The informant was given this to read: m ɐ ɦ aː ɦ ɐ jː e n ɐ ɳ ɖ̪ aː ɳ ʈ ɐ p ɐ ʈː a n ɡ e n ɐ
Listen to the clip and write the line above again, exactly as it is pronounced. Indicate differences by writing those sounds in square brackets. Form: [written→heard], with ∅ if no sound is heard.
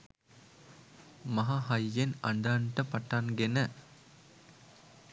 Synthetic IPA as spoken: m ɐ ɦ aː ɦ ɐ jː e n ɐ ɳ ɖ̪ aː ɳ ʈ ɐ p ɐ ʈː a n ɡ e n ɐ